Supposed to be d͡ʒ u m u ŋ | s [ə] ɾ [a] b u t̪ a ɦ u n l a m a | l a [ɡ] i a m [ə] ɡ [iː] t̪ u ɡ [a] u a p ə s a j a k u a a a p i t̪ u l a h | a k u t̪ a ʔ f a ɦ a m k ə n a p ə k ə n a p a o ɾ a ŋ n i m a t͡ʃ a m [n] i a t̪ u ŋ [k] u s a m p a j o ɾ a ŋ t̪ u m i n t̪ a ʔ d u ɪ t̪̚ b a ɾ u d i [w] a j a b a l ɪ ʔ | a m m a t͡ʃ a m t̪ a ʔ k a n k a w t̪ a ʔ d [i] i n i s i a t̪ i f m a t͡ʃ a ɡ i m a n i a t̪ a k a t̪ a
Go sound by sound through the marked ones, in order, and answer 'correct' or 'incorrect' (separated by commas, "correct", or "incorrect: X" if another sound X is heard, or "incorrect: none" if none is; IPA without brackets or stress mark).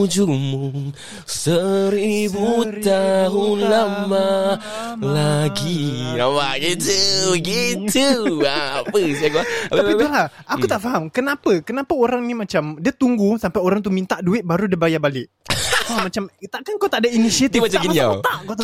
correct, incorrect: i, correct, incorrect: a, incorrect: i, incorrect: i, incorrect: d, incorrect: ɡ, incorrect: b, incorrect: a